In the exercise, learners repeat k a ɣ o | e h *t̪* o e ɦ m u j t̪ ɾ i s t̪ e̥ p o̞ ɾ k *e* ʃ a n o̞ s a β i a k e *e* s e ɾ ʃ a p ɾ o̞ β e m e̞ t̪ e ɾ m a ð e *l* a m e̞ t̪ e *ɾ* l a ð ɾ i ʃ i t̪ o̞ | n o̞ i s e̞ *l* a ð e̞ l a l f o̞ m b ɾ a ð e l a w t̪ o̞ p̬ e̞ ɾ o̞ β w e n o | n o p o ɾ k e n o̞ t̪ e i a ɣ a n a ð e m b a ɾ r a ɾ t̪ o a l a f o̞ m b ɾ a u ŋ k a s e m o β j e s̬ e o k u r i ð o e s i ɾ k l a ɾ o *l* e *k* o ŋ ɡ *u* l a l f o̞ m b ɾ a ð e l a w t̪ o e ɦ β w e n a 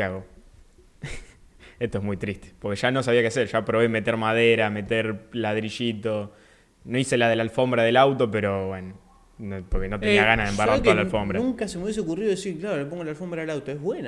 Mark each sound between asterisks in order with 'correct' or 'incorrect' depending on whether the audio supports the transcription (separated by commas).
correct, correct, incorrect, incorrect, correct, correct, correct, incorrect, incorrect